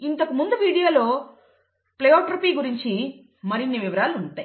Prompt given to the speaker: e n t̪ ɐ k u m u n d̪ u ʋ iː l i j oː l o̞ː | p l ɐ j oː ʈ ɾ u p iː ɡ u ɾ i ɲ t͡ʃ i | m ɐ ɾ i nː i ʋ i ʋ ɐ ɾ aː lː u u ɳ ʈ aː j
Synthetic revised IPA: i n t̪ ɐ k u m u n d̪ u ʋ iː ɽ i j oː l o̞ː | p l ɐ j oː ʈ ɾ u p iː ɡ u ɾ i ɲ t͡ʃ i | m ɐ ɾ i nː i ʋ i ʋ ɐ ɾ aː l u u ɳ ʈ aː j